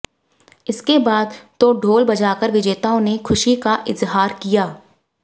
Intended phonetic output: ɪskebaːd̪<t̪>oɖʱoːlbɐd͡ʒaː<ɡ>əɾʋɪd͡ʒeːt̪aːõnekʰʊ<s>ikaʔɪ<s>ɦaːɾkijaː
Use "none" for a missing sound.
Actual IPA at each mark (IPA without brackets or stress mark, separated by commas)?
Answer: t̪, k, ʃ, z